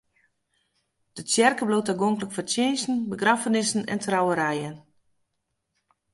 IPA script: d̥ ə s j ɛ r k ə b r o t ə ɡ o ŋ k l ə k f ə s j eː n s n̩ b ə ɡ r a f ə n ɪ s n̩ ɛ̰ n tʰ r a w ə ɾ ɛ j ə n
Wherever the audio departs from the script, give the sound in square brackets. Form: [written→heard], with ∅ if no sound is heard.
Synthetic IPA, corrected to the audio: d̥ ə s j ɛ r k ə b [r→l] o t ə ɡ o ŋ k l ə k f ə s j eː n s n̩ b ə ɡ r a f ə n ɪ s n̩ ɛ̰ n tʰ r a w ə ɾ ɛ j ə n